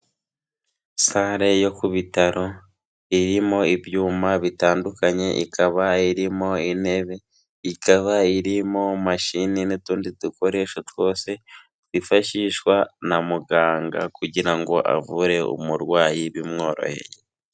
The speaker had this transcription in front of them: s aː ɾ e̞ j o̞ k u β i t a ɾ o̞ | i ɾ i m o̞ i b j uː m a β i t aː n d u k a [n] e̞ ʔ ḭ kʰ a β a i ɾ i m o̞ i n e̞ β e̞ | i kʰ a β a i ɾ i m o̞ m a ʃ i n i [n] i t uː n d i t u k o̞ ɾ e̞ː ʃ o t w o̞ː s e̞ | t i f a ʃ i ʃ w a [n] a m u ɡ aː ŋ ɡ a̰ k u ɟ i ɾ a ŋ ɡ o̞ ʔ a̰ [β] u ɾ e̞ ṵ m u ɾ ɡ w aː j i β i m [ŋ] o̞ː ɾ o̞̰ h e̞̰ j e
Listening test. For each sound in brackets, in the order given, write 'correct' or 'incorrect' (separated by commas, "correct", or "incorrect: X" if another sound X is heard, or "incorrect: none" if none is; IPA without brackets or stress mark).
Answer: incorrect: ɲ, correct, correct, incorrect: v, correct